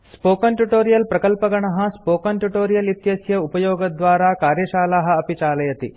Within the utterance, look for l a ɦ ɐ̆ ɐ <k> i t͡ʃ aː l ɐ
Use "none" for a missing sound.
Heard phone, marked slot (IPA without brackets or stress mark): p